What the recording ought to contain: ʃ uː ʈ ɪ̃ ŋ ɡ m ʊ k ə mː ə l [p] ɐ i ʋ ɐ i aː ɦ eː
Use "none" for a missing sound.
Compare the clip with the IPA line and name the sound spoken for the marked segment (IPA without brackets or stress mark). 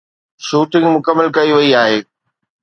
k